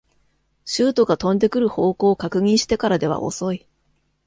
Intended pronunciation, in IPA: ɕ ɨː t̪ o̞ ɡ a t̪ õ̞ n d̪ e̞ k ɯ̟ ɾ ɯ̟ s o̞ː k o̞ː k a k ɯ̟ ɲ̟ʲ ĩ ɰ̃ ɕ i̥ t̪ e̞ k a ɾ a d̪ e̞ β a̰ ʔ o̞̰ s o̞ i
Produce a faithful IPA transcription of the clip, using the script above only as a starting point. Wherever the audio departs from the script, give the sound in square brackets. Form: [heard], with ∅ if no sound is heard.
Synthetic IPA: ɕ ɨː t̪ o̞ ɡ a t̪ õ̞ n d̪ e̞ k ɯ̟ ɾ ɯ̟ [h] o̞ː k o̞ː k a k ɯ̟ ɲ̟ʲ ĩ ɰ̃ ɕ i̥ t̪ e̞ k a ɾ a d̪ e̞ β a̰ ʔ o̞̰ s o̞ i